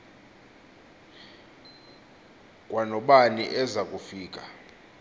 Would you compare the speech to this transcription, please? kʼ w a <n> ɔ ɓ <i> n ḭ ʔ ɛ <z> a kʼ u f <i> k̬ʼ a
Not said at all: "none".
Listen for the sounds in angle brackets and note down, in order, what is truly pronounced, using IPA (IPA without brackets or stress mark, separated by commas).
n, a, z, iː